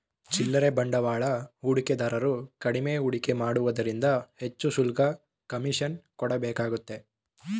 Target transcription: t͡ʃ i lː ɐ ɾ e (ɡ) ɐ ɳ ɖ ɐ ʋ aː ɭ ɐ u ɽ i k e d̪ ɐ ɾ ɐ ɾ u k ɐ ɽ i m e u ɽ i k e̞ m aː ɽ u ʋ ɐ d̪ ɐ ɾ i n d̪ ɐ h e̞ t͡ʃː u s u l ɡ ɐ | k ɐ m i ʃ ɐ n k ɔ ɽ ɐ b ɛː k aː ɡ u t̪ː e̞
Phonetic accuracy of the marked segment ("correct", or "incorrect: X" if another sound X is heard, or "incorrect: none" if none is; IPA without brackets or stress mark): incorrect: b